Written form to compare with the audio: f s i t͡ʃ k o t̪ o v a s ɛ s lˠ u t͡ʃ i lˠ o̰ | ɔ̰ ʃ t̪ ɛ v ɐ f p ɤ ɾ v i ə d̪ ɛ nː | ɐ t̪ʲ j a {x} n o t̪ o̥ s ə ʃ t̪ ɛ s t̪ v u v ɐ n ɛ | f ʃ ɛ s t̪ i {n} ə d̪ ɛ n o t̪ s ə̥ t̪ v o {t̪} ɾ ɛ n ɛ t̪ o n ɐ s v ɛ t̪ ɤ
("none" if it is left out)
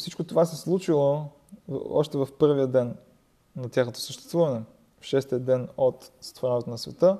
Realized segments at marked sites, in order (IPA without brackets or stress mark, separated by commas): x, none, none